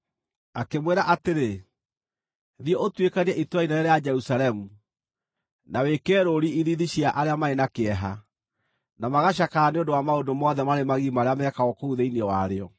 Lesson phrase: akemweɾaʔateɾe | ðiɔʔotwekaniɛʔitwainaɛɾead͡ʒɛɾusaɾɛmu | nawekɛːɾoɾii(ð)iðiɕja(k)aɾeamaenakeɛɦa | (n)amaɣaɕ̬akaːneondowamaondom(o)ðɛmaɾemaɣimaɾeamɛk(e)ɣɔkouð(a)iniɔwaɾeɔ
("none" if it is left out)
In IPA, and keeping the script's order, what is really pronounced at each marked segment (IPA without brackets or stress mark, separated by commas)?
ð, ʔ, n, ɔ, a, e